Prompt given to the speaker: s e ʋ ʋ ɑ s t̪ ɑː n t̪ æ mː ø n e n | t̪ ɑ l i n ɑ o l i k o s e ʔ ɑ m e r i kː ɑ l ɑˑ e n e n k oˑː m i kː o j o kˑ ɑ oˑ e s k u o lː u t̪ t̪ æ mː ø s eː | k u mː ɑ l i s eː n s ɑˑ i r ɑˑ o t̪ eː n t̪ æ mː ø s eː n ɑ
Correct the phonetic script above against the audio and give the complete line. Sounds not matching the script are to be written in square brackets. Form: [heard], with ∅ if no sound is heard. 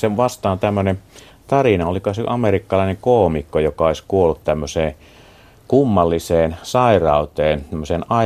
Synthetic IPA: s e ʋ ʋ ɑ s t̪ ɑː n t̪ æ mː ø n e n | t̪ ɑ [r] i n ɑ o l i k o s e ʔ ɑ m e r i kː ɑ l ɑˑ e n e [ŋ] k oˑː m i kː o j o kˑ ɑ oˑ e s k u o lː u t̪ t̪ æ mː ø s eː | k u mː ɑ [lː] i s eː n s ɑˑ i r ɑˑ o t̪ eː n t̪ æ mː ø s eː n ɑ